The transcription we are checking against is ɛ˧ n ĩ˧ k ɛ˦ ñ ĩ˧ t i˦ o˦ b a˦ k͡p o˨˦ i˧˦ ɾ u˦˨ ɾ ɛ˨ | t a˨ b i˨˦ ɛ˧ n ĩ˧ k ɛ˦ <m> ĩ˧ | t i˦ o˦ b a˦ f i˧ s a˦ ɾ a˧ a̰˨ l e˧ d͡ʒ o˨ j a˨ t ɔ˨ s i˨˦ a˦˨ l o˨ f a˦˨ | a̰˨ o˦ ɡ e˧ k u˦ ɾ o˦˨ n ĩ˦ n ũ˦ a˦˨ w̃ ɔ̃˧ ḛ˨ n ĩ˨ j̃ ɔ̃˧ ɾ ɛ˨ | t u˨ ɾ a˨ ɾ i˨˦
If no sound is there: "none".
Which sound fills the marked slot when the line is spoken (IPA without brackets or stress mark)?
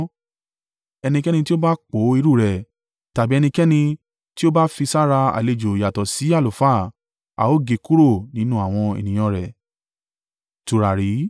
n